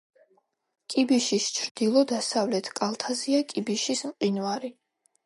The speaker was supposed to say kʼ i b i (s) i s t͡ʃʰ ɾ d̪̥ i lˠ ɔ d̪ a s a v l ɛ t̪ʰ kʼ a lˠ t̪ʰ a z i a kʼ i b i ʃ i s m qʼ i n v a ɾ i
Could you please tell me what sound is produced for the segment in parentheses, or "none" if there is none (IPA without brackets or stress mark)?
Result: ʃ